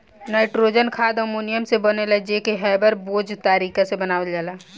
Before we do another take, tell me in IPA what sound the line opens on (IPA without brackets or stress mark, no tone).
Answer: n